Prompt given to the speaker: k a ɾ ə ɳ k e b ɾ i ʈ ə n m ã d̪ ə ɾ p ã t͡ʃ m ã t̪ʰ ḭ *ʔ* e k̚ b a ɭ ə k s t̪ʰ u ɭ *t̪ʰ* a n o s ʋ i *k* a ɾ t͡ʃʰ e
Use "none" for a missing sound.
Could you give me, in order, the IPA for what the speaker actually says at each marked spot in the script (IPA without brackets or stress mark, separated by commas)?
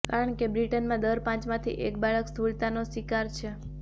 ʔ, t̪, k